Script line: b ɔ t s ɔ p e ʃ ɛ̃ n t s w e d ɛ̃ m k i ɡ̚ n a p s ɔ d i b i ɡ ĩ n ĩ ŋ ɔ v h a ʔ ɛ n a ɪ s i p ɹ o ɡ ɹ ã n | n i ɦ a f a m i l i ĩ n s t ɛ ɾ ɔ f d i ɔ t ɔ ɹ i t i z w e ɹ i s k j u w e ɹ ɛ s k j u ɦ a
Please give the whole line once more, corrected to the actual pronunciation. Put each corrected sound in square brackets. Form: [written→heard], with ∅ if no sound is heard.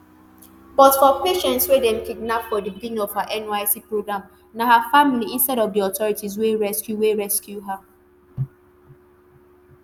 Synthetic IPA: b ɔ t [s→f] ɔ p e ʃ ɛ̃ n t s w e d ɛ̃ m k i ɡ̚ n a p [s→f] ɔ d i b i ɡ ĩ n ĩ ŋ ɔ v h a ʔ ɛ n a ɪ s i p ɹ o ɡ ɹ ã [n→m] | n [i→a] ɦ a f a m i l i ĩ n s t ɛ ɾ ɔ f d i ɔ t ɔ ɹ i t i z w e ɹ [i→ɛ] s k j u w e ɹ ɛ s k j u ɦ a

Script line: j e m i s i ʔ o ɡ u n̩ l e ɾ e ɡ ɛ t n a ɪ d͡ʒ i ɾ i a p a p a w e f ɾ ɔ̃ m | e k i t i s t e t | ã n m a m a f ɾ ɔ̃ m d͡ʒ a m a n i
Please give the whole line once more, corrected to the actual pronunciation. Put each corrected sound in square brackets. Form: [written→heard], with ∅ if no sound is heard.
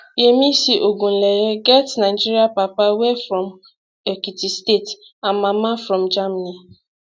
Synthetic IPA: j e m i s i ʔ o ɡ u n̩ l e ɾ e ɡ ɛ t n a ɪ d͡ʒ i ɾ i a p a p a w e f ɾ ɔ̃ m | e k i t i s t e t | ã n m a m a f ɾ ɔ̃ m d͡ʒ a m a n i

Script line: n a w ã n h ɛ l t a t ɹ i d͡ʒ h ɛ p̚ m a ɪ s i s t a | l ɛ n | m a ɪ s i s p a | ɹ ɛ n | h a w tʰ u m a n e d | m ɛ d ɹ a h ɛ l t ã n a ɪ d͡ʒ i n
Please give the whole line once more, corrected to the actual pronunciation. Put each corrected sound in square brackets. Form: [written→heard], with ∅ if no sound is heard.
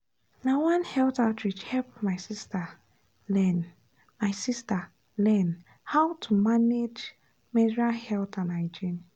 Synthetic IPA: n a w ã n h ɛ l t a t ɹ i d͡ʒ h ɛ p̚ m a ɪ s i s t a | l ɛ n | m a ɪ s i s [p→t] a | [ɹ→l] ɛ n | h a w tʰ u m a n e [d→d͡ʒ] | m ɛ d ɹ a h ɛ l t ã n a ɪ d͡ʒ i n

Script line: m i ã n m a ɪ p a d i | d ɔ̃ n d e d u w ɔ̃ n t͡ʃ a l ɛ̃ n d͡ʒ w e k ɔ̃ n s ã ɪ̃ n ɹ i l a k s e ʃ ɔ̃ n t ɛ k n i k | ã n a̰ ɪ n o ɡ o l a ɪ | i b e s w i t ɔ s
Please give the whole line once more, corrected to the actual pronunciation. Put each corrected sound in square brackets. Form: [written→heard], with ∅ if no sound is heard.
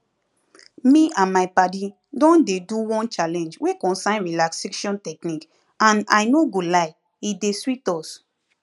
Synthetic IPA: m i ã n m a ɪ p a d i | d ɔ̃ n d e d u w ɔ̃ n t͡ʃ a l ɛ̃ n d͡ʒ w e k ɔ̃ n s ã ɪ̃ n ɹ i l a k s e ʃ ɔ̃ n t ɛ k n i k | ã n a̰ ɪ n o ɡ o l a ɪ | i [b→d] e s w i t ɔ s

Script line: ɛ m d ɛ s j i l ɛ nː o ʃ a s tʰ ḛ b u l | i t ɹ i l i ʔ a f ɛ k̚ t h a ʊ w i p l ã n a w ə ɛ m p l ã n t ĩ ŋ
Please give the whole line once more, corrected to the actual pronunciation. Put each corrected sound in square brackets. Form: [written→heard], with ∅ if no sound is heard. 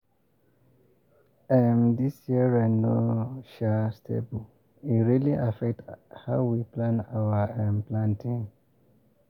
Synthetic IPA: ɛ m d [ɛ→i] s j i [l→ɹ] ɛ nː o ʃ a s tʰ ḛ b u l | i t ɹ i l i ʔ a f ɛ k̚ t h a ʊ w i p l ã n a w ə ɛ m p l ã n t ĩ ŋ

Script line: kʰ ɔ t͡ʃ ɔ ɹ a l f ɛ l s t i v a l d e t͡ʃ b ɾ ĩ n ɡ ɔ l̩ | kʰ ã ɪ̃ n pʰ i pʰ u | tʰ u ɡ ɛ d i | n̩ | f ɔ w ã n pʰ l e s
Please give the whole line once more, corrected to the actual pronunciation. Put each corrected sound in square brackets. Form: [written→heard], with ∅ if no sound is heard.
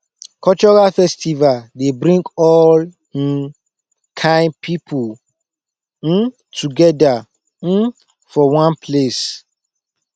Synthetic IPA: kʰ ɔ t͡ʃ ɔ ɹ a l f ɛ [l→∅] s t i v a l d e [t͡ʃ→∅] b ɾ ĩ [n→ŋ] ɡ ɔ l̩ | kʰ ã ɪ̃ n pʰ i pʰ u | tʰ u ɡ ɛ d [i→a] | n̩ | f ɔ w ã n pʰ l e s

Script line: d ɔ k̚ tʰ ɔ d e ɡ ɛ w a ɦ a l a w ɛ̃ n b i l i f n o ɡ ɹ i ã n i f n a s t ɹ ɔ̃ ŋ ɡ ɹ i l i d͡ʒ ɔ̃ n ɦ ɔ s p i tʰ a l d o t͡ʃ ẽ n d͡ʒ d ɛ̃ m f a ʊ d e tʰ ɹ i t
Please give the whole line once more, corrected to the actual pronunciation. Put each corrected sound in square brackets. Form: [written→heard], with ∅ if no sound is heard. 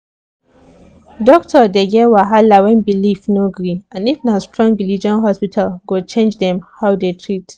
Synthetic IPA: d ɔ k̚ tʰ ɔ d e ɡ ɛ w a ɦ a l a w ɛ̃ n b i l i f n o ɡ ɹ i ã n i f n a s t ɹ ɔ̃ ŋ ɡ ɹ i l i d͡ʒ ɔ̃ n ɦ ɔ s p i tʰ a l [d→ɡ] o t͡ʃ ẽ n d͡ʒ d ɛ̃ m [f→h] a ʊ d e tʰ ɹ i t

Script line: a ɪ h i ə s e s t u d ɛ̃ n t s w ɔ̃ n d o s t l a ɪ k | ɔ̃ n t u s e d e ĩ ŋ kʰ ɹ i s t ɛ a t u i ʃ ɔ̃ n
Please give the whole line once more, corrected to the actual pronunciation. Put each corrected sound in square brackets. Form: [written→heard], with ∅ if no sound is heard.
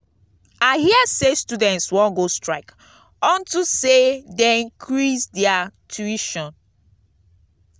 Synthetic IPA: a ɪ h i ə s e s t u d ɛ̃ n t s w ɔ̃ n [d→ɡ] o s t [l→ɹ] a ɪ k | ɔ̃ n t u s e d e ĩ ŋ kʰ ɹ i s [t→d] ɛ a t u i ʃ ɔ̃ n

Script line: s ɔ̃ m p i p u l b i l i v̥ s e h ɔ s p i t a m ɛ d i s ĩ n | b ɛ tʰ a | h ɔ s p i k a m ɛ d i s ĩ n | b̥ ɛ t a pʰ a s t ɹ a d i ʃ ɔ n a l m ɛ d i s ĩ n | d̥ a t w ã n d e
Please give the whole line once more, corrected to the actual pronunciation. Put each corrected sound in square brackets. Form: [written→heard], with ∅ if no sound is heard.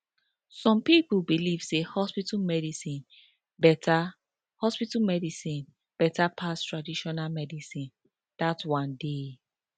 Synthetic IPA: s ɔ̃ m p i p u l b i l i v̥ s e h ɔ s p i t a m ɛ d i s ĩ n | b ɛ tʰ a | h ɔ s p i [k→t] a m ɛ d i s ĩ n | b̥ ɛ t a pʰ a s t ɹ a d i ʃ ɔ n a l m ɛ d i s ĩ n | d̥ a t w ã n d e

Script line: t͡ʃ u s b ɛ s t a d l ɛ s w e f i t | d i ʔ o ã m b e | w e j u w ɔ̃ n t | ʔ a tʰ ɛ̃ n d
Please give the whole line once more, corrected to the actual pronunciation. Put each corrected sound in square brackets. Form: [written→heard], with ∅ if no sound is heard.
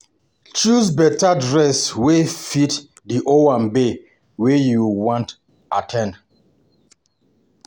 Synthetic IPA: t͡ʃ u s b ɛ [s→∅] t a d [l→ɹ] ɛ s w e f i t | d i ʔ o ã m b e | w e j u w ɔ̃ n t | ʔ a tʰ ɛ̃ n d

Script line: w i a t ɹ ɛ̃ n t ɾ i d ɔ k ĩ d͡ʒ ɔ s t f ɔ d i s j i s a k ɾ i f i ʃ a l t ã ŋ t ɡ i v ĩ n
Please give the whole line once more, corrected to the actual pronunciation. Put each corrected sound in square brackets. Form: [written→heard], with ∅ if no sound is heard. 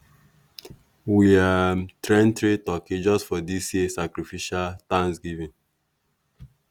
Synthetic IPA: w i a t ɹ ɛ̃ n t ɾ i [d→t] ɔ k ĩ d͡ʒ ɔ s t f ɔ d i s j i s a k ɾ i f i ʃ a l t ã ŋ [t→s] ɡ i v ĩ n

